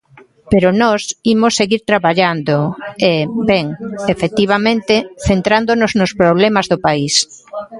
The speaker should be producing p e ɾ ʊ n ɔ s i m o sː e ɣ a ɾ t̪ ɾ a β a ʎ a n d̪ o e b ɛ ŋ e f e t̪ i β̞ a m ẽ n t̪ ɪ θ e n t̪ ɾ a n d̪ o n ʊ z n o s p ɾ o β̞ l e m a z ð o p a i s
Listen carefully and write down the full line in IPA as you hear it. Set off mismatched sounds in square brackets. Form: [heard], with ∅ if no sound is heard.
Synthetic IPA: p e ɾ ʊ n ɔ s i m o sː e ɣ [i] ɾ t̪ ɾ a β a ʎ a n d̪ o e b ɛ ŋ e f e t̪ i β̞ a m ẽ n t̪ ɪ θ e n t̪ ɾ a n d̪ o n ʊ z n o s p ɾ o β̞ l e m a z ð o p a i s